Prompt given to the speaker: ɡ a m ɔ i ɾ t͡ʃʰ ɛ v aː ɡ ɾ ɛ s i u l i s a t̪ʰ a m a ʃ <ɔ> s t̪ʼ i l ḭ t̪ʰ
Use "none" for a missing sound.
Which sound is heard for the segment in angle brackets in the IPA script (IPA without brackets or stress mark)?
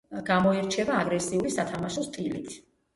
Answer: ɔ